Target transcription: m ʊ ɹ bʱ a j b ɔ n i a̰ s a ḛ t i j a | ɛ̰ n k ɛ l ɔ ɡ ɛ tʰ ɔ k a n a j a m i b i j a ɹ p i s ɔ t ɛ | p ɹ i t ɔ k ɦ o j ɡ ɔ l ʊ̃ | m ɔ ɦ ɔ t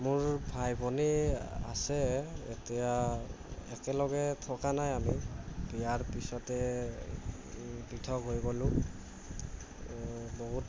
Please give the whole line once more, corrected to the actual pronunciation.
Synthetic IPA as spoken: m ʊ ɹ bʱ a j b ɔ n i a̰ s ɛ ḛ t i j a | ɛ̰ k ɛ l ɔ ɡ ɛ tʰ ɔ k a n a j a m i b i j a ɹ p i s ɔ t ɛ | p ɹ i tʰ ɔ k ɦ o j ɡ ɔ l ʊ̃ | b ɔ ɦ u t